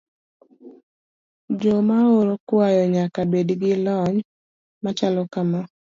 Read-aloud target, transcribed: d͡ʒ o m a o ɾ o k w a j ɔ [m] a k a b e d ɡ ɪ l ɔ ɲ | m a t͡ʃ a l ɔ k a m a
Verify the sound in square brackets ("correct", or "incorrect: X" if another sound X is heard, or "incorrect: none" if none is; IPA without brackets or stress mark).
incorrect: ɲ